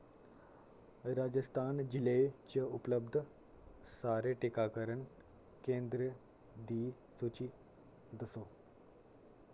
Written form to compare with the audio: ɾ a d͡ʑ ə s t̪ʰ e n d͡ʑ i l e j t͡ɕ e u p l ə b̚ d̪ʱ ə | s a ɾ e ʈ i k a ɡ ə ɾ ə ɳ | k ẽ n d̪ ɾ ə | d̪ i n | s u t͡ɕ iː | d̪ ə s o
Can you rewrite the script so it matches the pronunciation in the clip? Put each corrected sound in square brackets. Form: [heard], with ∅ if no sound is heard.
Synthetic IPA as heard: ɾ a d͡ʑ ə s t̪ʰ [a] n d͡ʑ i l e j t͡ɕ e u p l ə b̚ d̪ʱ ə | s a ɾ e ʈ i k a [k] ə ɾ ə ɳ | k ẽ n d̪ ɾ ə | d̪ i [∅] | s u t͡ɕ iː | d̪ ə s o